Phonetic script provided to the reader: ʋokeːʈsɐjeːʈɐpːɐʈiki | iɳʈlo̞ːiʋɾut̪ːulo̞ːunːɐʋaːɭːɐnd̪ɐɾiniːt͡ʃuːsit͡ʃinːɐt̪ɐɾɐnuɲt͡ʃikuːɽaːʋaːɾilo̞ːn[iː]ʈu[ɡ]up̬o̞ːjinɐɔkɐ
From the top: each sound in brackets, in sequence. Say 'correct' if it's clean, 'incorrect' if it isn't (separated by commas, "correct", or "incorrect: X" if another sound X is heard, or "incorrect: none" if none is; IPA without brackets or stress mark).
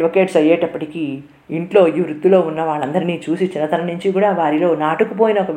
incorrect: aː, incorrect: k